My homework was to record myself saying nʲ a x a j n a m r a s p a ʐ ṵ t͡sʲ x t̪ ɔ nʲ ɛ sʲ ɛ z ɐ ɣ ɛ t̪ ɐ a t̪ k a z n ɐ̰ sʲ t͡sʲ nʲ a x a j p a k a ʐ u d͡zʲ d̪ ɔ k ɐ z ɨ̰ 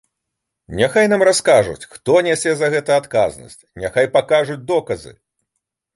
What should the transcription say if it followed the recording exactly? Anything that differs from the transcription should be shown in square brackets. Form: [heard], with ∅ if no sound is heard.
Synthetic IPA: nʲ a x a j n a m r a s [k] a ʐ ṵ t͡sʲ x t̪ ɔ nʲ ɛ sʲ ɛ z ɐ ɣ ɛ t̪ ɐ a t̪ k a z n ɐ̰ sʲ t͡sʲ nʲ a x a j p a k a ʐ u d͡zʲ d̪ ɔ k ɐ z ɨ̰